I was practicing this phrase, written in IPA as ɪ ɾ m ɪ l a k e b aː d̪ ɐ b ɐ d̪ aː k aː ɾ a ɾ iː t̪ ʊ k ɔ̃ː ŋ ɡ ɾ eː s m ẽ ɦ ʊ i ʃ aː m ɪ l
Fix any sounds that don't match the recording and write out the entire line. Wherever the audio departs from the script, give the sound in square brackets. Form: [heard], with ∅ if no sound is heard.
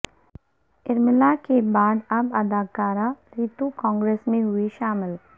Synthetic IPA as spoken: ɪ ɾ m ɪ l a k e b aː d̪ ɐ b ɐ d̪ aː k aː ɾ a ɾ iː t̪ [u] k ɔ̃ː ŋ ɡ ɾ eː s m ẽ ɦ ʊ i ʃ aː m ɪ l